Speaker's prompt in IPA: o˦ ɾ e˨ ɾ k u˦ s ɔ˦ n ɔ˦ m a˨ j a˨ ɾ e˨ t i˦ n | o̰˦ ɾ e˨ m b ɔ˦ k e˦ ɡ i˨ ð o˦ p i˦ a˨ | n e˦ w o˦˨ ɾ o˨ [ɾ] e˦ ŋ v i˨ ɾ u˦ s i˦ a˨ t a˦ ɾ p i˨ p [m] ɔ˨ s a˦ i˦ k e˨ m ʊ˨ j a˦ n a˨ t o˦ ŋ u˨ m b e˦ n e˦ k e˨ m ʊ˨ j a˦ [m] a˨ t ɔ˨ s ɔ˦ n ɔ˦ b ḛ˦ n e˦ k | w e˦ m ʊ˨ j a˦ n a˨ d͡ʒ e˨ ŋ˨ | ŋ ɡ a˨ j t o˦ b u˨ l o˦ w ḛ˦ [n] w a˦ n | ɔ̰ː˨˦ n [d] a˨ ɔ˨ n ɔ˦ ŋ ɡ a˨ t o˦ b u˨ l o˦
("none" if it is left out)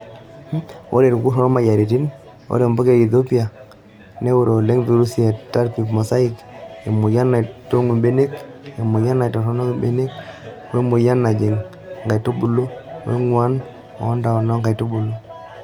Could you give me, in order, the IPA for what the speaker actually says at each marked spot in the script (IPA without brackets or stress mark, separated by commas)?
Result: l, m, n, ŋ, d